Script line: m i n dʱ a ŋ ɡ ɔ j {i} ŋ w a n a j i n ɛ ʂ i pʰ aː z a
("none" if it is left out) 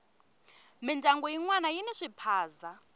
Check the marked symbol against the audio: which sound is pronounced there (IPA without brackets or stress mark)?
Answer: i